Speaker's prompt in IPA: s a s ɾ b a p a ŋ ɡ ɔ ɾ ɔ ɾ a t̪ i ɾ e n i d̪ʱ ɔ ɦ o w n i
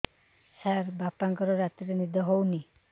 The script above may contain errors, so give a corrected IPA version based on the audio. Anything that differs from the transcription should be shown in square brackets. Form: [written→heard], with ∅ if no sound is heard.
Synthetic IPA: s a [s→∅] ɾ b a p a ŋ [ɡ→k] ɔ ɾ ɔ ɾ a t̪ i ɾ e n i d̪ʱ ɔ ɦ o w n i